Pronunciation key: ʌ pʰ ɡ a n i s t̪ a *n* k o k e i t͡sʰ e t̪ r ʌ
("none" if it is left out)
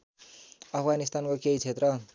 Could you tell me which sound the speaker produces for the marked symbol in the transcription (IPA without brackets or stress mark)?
n